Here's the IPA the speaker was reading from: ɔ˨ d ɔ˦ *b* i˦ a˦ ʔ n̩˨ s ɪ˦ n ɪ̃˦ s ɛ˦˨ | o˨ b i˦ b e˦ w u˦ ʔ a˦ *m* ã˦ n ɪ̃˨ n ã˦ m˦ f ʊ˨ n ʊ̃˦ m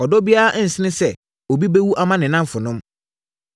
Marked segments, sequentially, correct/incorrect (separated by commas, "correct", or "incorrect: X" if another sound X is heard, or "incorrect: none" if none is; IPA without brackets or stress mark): correct, correct